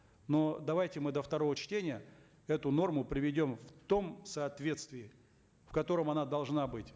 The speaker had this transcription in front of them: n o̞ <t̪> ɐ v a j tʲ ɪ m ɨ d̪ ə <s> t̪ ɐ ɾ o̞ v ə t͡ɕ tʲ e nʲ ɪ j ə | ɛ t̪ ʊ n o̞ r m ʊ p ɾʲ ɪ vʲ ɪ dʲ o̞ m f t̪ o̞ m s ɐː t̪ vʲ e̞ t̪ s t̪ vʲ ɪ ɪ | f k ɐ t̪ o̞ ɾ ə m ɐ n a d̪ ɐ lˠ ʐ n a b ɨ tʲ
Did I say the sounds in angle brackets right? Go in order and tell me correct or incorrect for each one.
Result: incorrect: d̪, incorrect: f

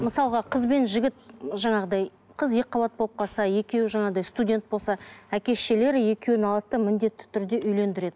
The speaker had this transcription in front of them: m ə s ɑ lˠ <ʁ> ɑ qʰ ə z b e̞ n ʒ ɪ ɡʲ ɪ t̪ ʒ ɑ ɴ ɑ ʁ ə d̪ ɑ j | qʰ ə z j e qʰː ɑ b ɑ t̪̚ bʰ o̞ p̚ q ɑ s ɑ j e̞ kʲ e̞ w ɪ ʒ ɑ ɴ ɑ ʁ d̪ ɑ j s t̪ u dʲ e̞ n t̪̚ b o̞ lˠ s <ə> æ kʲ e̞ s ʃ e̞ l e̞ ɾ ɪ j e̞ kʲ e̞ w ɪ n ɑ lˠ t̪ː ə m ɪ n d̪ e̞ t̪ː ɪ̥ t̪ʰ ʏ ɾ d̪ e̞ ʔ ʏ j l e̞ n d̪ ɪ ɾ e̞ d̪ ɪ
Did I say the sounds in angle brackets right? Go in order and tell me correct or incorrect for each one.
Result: correct, incorrect: ɑ

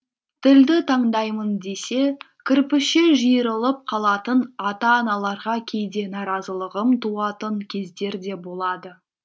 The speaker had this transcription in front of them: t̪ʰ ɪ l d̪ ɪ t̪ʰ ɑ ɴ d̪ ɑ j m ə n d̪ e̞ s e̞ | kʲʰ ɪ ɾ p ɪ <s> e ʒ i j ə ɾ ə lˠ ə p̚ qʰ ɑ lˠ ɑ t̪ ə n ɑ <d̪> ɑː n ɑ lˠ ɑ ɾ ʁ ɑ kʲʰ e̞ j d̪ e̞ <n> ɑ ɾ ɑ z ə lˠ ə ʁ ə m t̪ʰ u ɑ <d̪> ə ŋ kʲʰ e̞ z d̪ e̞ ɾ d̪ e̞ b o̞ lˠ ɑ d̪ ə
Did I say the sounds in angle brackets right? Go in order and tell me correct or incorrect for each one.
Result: incorrect: ʃ, incorrect: t̪, correct, incorrect: t̪

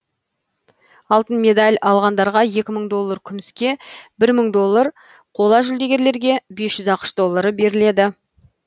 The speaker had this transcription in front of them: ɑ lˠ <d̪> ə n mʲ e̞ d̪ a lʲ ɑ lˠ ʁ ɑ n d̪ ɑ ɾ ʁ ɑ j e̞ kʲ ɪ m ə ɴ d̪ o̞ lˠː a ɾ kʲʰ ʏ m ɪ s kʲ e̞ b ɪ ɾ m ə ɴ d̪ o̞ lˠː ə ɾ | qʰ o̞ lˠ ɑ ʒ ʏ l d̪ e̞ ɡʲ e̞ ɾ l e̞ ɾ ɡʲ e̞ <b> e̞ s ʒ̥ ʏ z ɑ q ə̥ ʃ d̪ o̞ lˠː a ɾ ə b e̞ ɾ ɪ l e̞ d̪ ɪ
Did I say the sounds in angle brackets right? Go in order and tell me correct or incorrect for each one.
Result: incorrect: t̪, correct

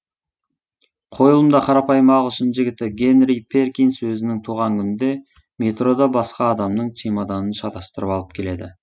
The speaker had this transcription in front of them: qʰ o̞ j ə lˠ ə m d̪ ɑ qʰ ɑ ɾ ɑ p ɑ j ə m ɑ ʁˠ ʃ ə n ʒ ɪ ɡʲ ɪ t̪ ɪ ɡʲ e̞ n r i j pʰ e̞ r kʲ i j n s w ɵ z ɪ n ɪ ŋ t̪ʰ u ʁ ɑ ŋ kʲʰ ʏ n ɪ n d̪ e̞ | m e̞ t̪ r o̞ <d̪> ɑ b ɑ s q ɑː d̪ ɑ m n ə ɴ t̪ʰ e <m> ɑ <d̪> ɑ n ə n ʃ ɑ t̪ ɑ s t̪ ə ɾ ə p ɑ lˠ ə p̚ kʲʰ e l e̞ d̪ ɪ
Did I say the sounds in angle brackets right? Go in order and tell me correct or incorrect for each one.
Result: correct, correct, correct

